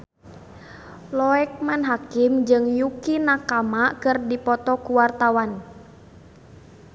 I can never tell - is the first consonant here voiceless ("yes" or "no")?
no